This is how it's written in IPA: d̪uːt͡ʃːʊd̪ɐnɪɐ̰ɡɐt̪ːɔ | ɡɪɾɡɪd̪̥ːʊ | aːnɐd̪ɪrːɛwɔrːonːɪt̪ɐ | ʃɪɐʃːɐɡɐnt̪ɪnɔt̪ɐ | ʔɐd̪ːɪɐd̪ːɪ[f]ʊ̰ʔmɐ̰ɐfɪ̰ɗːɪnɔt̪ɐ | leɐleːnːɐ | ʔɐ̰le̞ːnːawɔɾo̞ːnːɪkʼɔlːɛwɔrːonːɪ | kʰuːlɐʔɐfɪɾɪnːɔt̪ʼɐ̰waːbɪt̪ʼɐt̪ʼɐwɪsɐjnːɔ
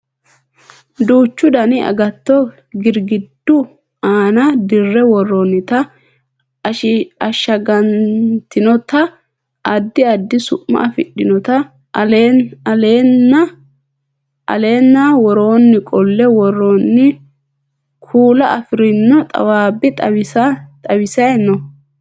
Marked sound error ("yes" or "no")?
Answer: yes